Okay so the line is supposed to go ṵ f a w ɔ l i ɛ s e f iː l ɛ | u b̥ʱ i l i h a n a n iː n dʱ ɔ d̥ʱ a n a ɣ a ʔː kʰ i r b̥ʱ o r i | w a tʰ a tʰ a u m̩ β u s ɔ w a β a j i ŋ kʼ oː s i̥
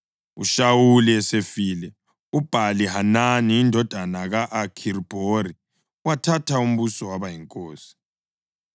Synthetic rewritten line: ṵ ʃ a w u l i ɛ s e f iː l ɛ | u b̥ʱ a l i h a n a n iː n dʱ ɔ d̥ʱ a n a ɣ a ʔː kʰ i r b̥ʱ o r i | w a tʰ a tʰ a u m̩ β u s ɔ w a β a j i ŋ kʼ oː s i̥